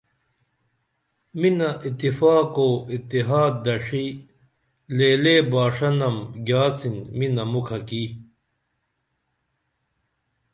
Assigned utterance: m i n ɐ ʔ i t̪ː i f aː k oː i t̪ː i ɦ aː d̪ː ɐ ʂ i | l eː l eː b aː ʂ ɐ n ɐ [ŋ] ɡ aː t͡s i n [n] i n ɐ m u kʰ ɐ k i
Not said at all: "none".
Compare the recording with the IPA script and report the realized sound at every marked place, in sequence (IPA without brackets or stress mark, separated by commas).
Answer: m, m